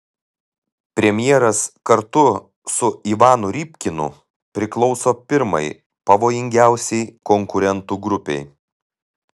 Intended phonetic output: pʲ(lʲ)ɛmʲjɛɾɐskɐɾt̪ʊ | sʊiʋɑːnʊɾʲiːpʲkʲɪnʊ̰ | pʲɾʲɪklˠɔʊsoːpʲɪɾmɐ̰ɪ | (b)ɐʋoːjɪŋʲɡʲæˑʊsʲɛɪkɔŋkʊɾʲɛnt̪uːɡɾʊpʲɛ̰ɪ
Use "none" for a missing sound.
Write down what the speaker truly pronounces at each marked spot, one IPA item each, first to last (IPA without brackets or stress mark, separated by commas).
ɾʲ, p